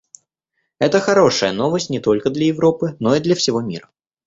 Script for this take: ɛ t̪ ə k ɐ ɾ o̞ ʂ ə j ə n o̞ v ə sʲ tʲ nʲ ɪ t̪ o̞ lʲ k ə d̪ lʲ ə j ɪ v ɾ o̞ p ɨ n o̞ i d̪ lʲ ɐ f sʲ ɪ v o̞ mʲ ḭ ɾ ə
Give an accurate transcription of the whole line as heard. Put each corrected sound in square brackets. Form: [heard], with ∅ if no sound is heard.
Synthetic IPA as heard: ɛ t̪ ə [x] ɐ ɾ o̞ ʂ ə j ə n o̞ v ə sʲ tʲ nʲ ɪ t̪ o̞ lʲ k ə d̪ lʲ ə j ɪ v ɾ o̞ p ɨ n o̞ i d̪ lʲ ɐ f sʲ ɪ v o̞ mʲ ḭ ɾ ə